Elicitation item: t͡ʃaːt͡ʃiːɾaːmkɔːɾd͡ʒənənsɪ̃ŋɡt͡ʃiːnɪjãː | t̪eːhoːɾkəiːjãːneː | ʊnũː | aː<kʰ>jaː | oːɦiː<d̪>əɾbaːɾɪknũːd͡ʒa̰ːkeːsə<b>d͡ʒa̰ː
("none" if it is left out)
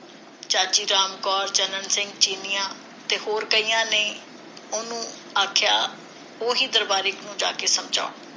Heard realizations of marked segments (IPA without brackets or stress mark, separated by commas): kʰ, d̪, m